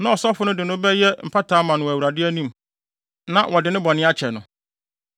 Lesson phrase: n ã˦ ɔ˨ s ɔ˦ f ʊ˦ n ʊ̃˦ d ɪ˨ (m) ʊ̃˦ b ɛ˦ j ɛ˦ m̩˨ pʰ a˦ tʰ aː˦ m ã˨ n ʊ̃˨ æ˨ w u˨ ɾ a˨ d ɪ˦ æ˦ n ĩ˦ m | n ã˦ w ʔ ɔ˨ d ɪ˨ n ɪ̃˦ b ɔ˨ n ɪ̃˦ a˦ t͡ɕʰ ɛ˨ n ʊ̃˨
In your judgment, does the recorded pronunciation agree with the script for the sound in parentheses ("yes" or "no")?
no